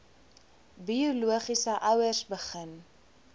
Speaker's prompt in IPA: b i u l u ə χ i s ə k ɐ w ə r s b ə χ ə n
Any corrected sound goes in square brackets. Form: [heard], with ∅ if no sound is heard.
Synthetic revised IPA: b i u l u ə χ i s ə [ʔ] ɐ w ə r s b ə χ ə n

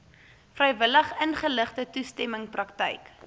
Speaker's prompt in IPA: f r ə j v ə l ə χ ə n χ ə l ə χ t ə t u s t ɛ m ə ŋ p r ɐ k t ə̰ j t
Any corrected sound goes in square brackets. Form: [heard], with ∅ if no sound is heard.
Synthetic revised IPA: f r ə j v ə l ə χ ə n χ ə l ə χ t ə t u s t ɛ m ə ŋ p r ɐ k t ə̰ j [k]

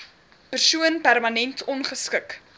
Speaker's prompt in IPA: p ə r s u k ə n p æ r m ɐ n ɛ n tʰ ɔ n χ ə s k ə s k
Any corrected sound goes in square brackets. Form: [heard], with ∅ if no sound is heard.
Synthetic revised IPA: p ə r s u [∅] ə n p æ r m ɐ n ɛ n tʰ ɔ n χ ə s k ə [∅] k

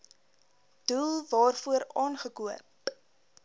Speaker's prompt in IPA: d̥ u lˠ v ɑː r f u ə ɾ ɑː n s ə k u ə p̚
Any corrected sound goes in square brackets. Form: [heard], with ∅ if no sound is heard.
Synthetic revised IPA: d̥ u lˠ v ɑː r f u ə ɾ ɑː n [χ] ə k u ə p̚

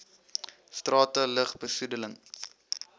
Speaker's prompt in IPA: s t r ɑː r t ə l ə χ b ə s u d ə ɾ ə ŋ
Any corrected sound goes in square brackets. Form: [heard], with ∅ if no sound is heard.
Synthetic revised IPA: s t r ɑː [∅] t ə l ə χ b ə s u d ə [l] ə ŋ

